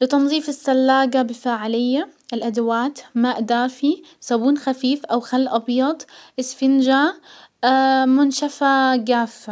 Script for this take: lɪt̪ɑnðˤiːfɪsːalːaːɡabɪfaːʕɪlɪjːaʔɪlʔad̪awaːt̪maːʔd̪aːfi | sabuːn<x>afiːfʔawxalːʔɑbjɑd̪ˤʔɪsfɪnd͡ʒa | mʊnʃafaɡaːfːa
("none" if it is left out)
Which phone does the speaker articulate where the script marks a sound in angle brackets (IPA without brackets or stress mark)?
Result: x